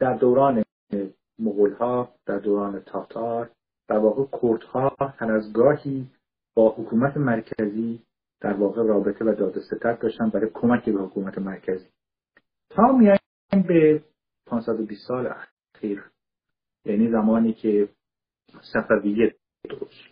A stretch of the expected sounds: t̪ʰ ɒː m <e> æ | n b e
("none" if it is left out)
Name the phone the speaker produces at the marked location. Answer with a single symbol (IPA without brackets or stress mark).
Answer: i